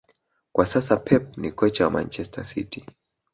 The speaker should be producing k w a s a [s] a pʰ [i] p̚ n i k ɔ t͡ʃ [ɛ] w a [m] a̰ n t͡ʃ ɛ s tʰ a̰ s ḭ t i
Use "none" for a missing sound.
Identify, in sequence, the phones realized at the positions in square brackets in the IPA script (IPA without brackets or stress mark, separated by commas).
s, ɛ, a, m